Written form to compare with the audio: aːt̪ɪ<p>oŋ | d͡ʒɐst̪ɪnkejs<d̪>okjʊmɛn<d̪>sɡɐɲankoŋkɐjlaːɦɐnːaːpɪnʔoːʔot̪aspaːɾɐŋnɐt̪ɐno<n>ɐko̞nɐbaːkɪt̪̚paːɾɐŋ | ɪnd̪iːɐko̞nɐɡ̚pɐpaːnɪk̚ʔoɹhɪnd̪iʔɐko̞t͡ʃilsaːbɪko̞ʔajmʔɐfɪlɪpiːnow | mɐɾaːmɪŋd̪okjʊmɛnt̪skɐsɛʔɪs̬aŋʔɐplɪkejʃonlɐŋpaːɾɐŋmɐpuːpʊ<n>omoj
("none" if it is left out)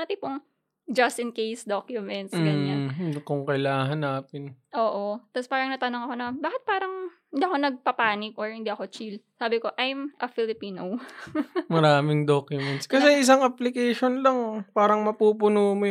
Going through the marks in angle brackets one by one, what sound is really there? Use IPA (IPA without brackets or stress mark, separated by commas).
p, d̪, t̪, ŋ, n